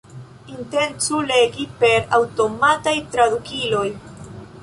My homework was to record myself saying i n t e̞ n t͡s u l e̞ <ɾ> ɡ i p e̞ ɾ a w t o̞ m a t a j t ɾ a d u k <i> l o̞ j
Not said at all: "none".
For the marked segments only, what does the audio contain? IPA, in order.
none, i

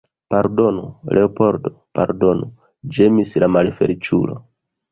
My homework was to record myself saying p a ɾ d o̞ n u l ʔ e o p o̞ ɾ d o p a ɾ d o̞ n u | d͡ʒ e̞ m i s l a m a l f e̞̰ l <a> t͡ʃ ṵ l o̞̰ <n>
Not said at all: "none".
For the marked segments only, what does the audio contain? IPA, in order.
i, none

